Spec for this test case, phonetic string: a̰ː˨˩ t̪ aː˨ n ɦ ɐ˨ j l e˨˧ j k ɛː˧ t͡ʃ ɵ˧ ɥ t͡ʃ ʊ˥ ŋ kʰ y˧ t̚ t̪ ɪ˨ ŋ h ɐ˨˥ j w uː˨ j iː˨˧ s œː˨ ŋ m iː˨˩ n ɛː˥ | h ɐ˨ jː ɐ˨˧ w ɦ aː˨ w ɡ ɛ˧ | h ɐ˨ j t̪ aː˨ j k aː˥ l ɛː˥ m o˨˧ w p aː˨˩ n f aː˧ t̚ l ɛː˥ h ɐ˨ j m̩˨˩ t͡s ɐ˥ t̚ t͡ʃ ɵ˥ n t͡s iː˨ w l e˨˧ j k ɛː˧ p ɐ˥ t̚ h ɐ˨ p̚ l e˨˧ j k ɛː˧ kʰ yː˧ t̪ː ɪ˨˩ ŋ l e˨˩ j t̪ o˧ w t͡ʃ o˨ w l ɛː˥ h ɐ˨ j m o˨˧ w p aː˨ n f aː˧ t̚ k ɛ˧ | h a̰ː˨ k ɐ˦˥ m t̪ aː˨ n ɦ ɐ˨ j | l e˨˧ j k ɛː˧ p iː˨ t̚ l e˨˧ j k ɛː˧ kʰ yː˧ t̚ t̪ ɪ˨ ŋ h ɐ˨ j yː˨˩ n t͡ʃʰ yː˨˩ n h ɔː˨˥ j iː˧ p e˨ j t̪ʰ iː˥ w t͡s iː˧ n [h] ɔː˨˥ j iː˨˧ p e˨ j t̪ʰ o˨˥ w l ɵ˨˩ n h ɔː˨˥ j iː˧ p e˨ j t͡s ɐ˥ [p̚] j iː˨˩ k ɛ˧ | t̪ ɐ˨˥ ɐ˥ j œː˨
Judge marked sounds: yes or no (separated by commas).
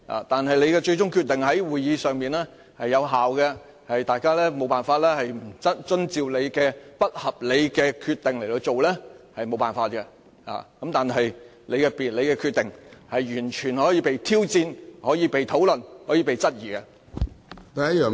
yes, no